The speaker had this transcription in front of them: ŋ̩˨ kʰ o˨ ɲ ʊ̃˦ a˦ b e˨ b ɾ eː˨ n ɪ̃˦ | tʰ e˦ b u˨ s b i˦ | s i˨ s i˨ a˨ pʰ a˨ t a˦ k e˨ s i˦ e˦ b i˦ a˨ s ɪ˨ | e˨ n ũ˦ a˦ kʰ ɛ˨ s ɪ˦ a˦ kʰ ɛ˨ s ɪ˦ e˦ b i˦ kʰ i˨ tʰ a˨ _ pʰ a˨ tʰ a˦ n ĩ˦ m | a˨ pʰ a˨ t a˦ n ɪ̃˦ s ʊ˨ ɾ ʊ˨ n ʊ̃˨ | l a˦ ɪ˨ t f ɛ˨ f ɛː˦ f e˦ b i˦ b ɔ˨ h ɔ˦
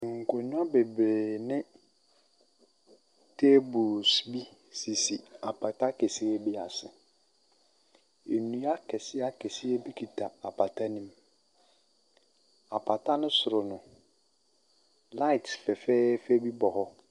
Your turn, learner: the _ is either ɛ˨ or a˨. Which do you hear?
a˨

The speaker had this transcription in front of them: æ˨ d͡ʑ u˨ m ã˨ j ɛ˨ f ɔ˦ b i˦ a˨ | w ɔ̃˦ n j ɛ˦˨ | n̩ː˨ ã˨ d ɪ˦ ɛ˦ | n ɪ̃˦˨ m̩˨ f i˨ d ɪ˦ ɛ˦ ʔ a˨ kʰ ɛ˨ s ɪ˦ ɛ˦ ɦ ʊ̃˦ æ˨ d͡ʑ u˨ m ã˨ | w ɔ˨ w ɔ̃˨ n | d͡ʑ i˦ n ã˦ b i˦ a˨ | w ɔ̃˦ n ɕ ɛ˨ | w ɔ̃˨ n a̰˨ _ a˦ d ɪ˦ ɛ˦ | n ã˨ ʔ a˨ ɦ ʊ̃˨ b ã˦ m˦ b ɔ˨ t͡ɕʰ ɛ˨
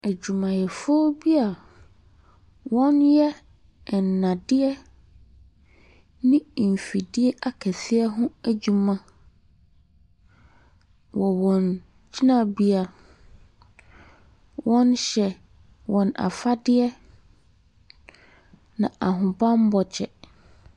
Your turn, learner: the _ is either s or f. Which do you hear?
f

